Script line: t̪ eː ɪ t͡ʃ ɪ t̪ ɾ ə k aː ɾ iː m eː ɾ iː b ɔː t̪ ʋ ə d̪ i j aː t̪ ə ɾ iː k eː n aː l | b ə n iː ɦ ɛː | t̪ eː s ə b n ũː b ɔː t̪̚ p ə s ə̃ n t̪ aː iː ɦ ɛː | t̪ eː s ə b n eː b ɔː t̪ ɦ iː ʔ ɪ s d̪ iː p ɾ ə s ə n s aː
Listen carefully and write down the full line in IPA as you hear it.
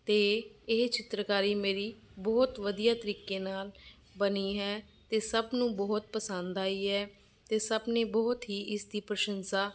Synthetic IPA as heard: t̪ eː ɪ t͡ʃ ɪ t̪ ɾ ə k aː ɾ iː m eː ɾ iː b ɔː t̪ ʋ ə d̪ i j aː t̪ ə ɾ iː k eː n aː l | b ə n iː ɦ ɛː | t̪ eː s ə b n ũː b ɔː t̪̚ p ə s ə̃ n d̪ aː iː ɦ ɛː | t̪ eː s ə b n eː b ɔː t̪ ɦ iː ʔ ɪ s d̪ iː p ɾ ə ʃ ə n s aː

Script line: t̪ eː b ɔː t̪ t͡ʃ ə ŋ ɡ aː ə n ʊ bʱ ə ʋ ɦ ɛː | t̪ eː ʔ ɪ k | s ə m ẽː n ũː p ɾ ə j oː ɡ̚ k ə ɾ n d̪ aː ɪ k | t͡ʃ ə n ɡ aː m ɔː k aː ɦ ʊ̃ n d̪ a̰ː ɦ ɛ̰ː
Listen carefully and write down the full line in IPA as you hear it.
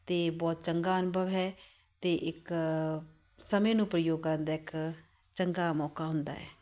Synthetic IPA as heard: t̪ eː b ɔː t̪ t͡ʃ ə ŋ ɡ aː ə n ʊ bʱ ə ʋ ɦ ɛː | t̪ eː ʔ ɪ k | s ə m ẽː n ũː p ɾ ə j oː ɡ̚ k ə ɾ n d̪ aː ɪ k | t͡ʃ ə ŋ ɡ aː m ɔː k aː ɦ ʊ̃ n d̪ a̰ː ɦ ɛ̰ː

